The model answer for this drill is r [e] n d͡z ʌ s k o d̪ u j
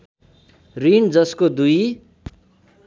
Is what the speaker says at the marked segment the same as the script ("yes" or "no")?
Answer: no